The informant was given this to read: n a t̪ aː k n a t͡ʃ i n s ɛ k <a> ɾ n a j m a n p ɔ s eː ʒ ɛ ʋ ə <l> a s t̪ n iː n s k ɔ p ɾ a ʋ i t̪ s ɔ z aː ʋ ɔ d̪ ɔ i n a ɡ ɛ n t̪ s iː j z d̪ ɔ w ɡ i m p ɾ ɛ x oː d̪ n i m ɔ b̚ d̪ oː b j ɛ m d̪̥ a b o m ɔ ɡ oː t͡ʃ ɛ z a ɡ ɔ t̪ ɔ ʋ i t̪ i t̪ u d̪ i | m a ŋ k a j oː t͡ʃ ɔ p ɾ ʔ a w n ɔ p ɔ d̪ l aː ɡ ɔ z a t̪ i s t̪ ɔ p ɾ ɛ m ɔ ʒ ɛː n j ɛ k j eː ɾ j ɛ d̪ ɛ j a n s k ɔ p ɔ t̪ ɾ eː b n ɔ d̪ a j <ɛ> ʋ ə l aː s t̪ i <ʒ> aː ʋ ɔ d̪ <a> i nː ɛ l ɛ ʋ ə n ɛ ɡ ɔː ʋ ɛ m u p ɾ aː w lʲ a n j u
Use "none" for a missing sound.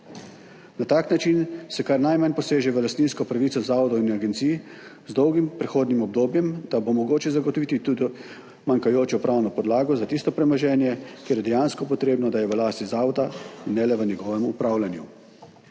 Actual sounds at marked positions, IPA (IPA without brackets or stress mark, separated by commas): a, l, ɛ, z, a